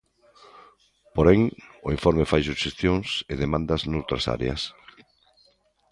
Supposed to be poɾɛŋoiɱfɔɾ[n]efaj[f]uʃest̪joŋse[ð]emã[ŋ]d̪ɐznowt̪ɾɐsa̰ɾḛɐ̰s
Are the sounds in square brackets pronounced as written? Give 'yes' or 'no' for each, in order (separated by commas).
no, no, yes, no